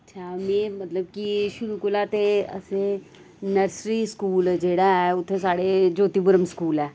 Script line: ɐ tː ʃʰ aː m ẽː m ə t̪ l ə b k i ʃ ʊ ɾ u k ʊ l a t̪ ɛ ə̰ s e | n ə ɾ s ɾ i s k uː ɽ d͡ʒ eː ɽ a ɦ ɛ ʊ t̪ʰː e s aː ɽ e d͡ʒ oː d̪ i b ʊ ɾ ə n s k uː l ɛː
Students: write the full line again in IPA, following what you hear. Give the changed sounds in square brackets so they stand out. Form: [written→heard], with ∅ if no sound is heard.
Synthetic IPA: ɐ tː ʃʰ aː m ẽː m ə t̪ l ə b k i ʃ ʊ ɾ u k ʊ l a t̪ [ɛ→e] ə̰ s e | n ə ɾ s ɾ i s k uː [ɽ→l] d͡ʒ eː ɽ a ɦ ɛ ʊ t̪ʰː e s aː ɽ e d͡ʒ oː [d̪→t̪] i b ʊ ɾ ə [n→m] s k uː l ɛː